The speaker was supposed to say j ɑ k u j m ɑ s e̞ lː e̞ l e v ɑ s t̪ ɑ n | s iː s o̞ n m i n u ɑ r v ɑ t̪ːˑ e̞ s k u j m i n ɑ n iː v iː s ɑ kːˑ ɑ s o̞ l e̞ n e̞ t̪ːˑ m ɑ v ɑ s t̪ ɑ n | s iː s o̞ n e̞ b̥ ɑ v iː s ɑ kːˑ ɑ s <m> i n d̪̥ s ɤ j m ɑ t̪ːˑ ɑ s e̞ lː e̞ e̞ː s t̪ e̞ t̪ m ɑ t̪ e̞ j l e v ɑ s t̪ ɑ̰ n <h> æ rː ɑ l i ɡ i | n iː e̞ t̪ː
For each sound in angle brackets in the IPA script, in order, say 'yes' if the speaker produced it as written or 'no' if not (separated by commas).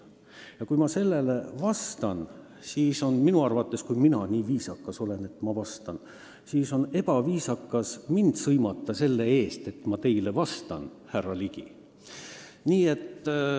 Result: yes, yes